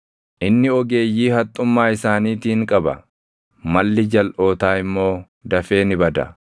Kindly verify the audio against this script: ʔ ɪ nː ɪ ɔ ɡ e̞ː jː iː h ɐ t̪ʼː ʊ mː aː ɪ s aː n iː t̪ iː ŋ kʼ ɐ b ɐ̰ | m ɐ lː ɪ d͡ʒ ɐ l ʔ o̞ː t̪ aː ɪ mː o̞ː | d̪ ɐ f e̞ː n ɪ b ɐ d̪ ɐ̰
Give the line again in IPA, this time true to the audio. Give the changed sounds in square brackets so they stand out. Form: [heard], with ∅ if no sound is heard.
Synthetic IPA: ʔ ɪ nː ɪ ɔ ɡ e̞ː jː iː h ɐ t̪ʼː ʊ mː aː ɪ s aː n iː t̪ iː ŋ kʼ ɐ b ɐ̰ | m ɐ lː ɪ d͡ʒ ɐ l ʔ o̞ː t̪ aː ɪ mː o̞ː | d̪ ɐ f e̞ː n ɪ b ɐ d̪ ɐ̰